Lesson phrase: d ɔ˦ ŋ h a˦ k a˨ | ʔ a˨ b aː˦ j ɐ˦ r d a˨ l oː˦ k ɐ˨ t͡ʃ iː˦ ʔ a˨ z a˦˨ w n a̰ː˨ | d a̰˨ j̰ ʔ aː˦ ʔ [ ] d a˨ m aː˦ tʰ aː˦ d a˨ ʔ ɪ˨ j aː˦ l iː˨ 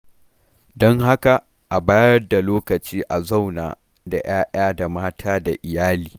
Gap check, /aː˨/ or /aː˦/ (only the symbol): aː˦